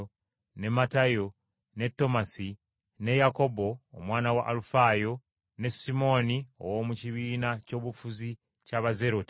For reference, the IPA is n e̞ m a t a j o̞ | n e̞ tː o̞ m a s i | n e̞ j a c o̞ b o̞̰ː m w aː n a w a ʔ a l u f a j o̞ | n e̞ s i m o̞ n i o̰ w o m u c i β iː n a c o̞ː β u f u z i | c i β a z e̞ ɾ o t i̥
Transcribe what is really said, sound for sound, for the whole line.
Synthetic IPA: n e̞ m a t a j o̞ | n e̞ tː o̞ m a s i | n e̞ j a k o̞ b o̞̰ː m w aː n a w a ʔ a l u f a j o̞ | n e̞ s i m o̞ n i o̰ w o m u c i β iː n a c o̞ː β u f u z i | c a β a z e̞ ɾ o t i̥

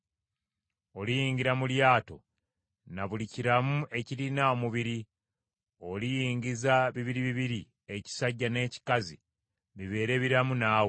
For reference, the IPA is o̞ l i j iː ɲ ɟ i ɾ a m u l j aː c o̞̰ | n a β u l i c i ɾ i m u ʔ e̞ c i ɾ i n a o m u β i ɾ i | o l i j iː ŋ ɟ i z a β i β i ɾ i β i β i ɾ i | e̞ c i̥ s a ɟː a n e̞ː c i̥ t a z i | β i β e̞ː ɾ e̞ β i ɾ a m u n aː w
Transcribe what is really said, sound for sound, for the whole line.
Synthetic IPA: o̞ l i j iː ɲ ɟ i ɾ a m u l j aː t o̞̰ | n a β u l i c i ɾ a m u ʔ e̞ c i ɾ i n a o m u β i ɾ i | o l i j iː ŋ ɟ i z a β i β i ɾ i β i β i ɾ i | e̞ c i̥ s a ɟː a n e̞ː c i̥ k a z i | β i β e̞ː ɾ e̞ β i ɾ a m u n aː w

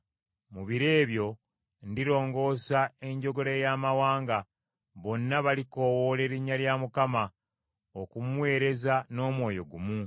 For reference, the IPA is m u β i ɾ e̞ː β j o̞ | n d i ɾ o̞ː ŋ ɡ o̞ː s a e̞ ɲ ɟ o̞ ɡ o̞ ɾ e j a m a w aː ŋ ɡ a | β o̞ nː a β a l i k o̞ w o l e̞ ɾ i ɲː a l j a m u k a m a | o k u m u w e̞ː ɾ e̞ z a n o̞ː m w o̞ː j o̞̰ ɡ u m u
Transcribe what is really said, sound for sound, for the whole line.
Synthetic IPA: m u β i ɾ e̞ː β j o̞ | n d i ɾ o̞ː ŋ ɡ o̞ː s a e̞ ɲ ɟ o̞ ɡ o̞ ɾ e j a m a w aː ŋ ɡ a | β o̞ nː a β a l i k o̞ w o l e̞ ɾ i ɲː a l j a m u k a m a | o k u m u w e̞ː ɾ e̞ z a n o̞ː m w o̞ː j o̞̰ ɡ u m u

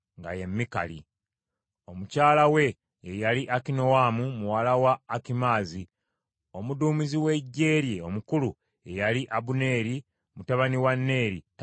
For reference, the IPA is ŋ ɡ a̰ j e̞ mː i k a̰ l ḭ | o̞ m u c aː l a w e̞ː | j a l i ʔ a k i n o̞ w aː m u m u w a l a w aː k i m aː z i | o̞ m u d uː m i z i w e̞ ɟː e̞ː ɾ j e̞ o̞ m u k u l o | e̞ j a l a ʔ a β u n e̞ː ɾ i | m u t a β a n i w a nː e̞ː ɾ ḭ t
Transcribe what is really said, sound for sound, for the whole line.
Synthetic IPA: ŋ ɡ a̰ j e̞ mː i k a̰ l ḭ | o̞ m u c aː l a w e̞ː | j a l i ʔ a k i n o̞ w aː m u m u w a l a w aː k i m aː z i | o̞ m u d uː m i z i w e̞ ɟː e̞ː ɾ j e̞ o̞ m u k u l u | e̞ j a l i ʔ a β u n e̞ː ɾ i | m u t a β a n i w a nː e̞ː ɾ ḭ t

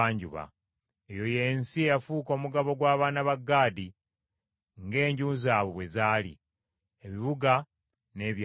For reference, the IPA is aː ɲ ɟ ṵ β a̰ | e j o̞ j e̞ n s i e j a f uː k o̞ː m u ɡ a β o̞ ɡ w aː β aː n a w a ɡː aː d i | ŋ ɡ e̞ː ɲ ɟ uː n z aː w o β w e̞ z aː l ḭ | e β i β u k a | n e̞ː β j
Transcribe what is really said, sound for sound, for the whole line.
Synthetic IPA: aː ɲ ɟ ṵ β a̰ | e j o̞ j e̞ n s i e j a f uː k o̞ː m u ɡ a β o̞ ɡ w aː β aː n a β a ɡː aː d i | ŋ ɡ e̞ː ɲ ɟ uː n z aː β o β w e̞ z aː l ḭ | e β i β u ɡ a | n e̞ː β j

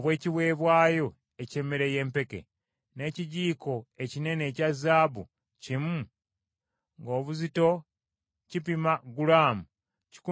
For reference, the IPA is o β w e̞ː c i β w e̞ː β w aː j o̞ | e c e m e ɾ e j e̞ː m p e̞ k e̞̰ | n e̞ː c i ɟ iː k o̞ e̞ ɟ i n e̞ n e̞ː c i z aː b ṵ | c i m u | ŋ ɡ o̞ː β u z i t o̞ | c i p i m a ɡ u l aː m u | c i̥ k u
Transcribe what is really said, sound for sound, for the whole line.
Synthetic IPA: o β w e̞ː c i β w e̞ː β w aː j o̞ | e c e m e ɾ e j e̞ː m p e̞ k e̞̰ | n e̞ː c i ɟ iː k o̞ e̞ c i n e̞ n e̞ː c a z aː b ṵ | c i m u | ŋ ɡ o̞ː β u z i t o̞ | c i p i m a ɡ u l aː m u | c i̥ k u

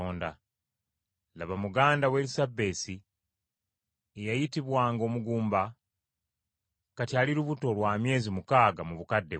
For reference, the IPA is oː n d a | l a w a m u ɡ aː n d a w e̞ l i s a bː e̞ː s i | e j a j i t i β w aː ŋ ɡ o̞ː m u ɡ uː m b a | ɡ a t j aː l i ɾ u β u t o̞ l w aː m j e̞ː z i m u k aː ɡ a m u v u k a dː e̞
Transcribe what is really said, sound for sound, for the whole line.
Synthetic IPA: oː n d a | l a β a m u ɡ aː n d a w e̞ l i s a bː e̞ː s i | e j a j i t i β w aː ŋ ɡ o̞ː m u ɡ uː m b a | k a t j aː l i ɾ u β u t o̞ l w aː m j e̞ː z i m u k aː ɡ a m u β u k a dː e̞

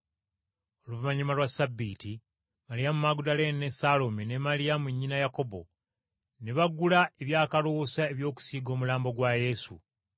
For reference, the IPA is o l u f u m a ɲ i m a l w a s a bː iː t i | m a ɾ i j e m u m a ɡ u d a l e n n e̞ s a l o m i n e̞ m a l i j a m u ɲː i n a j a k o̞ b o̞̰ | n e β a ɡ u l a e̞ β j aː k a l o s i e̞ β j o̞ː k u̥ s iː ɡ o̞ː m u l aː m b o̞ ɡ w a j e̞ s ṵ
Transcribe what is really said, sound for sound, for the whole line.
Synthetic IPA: o l u v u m a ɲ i m a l w a s a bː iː t i | m a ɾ i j a m u m a ɡ u d a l e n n e̞ s a l o m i n e̞ m a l i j a m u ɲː i n a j a k o̞ b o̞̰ | n e β a ɡ u l a e̞ β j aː k a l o s a e̞ β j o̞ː k u̥ s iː ɡ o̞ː m u l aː m b o̞ ɡ w a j e̞ s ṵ

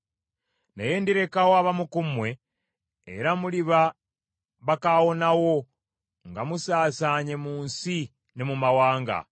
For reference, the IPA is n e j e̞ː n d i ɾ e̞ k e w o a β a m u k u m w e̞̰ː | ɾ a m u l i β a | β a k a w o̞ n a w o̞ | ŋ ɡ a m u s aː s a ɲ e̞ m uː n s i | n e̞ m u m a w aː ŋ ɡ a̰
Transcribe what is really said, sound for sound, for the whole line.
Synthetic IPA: n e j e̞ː n d i ɾ e̞ k a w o a β a m u k u m w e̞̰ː | ɾ a m u l i β a | β a k a w o̞ n a w o̞ | ŋ ɡ a m u s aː s a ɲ e̞ m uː n s i | n e̞ m u m a w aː ŋ ɡ a̰

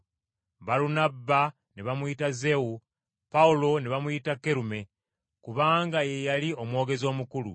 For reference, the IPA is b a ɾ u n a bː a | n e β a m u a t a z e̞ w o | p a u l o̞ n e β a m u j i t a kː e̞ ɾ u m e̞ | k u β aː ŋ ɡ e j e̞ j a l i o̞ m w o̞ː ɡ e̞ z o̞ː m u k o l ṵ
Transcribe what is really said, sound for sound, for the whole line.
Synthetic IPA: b a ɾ u n a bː a | n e β a m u i t a z e̞ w u | p a u l o̞ n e β a m u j i t a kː e̞ ɾ u m e̞ | k u β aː ŋ ɡ a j e̞ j a l i o̞ m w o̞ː ɡ e̞ z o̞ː m u k u l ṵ

